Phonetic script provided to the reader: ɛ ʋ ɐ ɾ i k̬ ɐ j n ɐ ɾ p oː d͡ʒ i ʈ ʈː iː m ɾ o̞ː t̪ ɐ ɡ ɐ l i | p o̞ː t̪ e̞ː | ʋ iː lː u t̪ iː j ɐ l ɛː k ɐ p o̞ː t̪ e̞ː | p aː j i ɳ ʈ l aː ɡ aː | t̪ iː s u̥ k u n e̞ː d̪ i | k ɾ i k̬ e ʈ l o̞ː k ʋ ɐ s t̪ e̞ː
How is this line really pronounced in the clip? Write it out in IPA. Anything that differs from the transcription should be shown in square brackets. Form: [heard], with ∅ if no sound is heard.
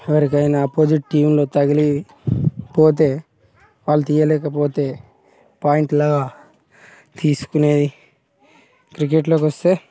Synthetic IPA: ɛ ʋ ɐ ɾ i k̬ ɐ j n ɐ [∅] p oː d͡ʒ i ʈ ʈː iː m [l] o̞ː t̪ ɐ ɡ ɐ l i | p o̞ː t̪ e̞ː | ʋ [aː] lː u t̪ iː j ɐ l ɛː k ɐ p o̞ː t̪ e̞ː | p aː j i ɳ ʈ l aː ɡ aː | t̪ iː s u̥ k u n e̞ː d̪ i | k ɾ i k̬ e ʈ l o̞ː k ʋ ɐ s t̪ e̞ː